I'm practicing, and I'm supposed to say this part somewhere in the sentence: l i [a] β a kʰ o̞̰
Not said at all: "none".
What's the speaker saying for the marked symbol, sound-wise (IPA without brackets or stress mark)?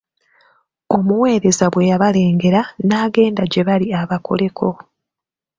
a